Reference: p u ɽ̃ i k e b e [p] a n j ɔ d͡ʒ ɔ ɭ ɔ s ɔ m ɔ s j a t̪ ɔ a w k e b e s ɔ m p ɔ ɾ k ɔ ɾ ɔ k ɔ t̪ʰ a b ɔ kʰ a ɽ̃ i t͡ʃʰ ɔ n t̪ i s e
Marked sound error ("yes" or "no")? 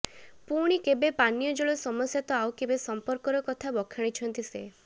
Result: no